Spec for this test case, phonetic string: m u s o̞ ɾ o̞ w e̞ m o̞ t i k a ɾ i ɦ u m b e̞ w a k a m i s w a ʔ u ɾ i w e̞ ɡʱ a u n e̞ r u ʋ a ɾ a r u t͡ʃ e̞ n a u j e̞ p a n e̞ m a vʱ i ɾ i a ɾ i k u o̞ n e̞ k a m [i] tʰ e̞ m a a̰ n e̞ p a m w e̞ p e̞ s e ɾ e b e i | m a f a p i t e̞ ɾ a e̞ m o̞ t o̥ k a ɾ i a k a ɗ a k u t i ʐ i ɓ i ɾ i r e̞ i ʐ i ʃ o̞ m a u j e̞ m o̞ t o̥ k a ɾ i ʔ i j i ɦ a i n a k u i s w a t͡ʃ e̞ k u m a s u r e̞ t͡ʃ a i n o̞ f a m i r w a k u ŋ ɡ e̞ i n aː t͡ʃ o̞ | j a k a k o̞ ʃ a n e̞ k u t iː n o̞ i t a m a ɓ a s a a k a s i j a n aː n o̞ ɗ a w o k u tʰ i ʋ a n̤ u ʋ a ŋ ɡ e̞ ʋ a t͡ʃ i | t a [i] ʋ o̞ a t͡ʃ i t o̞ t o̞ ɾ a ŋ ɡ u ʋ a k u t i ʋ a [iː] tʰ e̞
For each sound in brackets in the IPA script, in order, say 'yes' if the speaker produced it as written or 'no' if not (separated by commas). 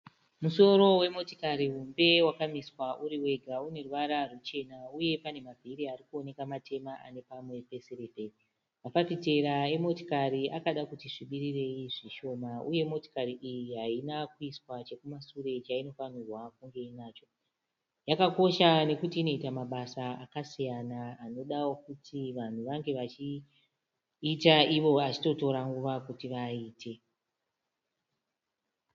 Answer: no, yes, yes